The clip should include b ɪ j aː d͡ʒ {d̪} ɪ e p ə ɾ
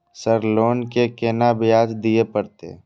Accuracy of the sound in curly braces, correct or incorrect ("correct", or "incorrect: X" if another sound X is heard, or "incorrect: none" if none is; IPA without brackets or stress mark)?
correct